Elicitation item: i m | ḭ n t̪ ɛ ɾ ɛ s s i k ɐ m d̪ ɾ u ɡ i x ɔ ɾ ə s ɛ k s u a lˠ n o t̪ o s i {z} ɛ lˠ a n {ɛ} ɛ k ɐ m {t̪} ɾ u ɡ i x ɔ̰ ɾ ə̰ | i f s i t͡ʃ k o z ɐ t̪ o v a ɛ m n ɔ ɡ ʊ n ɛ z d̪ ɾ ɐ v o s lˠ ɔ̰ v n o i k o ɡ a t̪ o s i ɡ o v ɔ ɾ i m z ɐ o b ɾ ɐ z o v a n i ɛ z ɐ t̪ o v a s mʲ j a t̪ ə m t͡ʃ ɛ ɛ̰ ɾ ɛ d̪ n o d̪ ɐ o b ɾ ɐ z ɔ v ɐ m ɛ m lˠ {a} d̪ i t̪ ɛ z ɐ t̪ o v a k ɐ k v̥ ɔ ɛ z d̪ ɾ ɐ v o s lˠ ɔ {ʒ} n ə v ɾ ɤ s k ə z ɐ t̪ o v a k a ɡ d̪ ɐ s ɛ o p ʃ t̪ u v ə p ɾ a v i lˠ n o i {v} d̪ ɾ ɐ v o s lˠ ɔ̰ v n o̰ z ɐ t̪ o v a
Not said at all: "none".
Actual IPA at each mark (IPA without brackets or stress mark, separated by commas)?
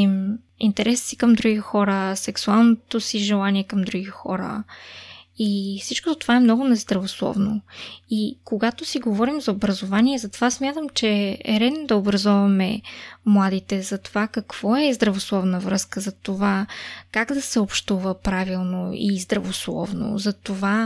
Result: ʒ, i, d̪, a, v, z